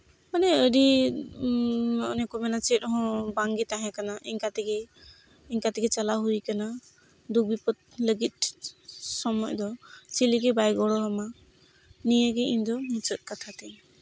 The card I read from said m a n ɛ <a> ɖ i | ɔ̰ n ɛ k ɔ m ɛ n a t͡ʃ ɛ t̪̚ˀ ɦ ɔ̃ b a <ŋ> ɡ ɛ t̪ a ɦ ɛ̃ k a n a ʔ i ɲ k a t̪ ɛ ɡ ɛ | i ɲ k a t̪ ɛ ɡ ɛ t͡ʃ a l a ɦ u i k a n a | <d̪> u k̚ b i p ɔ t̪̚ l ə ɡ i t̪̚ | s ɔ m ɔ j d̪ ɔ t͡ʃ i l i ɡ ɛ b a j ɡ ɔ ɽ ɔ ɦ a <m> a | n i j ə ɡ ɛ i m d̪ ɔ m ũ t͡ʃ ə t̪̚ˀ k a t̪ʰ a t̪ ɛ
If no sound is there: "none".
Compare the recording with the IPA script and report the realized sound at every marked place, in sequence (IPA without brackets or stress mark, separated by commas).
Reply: ə, ŋ, d̪, m